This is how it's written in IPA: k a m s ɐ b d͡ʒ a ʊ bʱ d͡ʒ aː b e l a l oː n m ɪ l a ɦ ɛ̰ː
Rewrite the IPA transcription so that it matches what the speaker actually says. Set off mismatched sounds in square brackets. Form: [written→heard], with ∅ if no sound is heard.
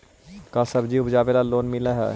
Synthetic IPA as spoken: k a [m→∅] s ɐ b d͡ʒ [a→i] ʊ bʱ d͡ʒ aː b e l a l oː n m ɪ l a ɦ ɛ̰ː